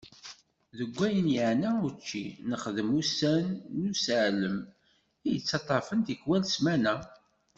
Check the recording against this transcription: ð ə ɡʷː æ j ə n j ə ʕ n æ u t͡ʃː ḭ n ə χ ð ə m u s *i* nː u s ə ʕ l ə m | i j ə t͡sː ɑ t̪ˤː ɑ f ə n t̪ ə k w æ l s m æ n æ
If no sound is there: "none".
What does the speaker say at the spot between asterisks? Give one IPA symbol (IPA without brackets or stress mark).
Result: æ